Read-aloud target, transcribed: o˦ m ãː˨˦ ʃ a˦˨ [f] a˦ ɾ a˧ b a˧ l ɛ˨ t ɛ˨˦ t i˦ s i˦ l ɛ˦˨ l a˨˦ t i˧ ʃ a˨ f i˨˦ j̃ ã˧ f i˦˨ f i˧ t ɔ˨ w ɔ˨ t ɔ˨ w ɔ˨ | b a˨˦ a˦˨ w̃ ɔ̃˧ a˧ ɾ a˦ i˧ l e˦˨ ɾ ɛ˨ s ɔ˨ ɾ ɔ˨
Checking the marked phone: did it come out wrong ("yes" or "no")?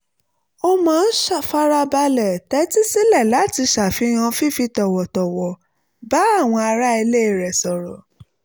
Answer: no